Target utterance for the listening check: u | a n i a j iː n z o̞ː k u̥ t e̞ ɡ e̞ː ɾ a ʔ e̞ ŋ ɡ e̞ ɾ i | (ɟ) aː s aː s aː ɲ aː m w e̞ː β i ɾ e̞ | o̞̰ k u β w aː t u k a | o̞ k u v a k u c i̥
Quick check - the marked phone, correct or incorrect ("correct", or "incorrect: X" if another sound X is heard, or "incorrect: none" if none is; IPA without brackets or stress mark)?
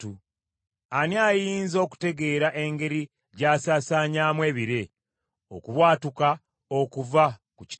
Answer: correct